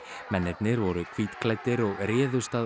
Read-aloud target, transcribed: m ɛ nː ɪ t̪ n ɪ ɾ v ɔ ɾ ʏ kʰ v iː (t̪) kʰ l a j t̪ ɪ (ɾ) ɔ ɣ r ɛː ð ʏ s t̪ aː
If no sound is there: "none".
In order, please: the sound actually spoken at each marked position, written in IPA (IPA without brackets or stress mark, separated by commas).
t̪, ɾ